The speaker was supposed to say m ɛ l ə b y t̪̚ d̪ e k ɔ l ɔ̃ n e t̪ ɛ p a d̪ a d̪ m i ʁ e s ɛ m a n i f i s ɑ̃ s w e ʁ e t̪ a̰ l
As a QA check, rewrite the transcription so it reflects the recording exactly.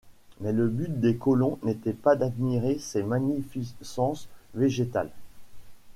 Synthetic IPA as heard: m ɛ l ə b y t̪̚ d̪ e k ɔ l ɔ̃ n e t̪ ɛ p a d̪ a d̪ m i ʁ e s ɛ m a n i f i s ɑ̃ s v e ʒ e t̪ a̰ l